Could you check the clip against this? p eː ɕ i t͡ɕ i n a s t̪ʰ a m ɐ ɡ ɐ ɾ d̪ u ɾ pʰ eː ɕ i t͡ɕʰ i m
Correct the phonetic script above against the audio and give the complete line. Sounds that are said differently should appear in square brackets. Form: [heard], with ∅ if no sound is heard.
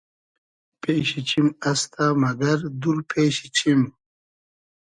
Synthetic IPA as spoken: p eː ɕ i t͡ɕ i [m] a s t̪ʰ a m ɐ ɡ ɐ ɾ d̪ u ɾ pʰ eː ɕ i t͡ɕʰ i m